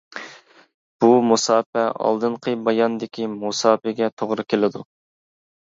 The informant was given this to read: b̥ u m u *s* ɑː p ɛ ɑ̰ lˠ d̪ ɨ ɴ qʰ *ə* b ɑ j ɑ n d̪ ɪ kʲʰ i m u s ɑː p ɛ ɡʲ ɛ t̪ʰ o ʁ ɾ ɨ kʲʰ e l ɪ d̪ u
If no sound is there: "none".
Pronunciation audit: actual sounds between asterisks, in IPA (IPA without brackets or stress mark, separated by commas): s, ə